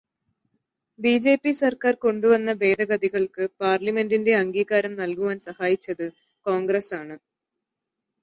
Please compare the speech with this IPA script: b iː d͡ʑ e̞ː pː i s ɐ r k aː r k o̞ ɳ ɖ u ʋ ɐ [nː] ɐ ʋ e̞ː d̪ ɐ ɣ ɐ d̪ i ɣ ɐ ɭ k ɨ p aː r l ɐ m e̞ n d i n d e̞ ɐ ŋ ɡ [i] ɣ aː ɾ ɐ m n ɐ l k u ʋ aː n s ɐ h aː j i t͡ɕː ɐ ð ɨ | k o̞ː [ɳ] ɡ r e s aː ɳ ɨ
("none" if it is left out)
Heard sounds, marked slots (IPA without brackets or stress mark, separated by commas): nː, iː, ŋ